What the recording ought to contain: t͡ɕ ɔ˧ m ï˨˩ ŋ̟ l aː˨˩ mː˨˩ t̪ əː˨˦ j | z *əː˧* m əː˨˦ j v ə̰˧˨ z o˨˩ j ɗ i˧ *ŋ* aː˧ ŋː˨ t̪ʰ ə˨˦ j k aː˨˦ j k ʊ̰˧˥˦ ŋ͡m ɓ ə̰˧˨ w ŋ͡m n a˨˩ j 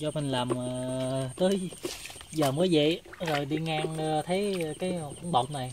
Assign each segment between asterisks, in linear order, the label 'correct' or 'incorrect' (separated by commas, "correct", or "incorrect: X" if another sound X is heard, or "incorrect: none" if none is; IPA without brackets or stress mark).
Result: incorrect: əː˨˩, correct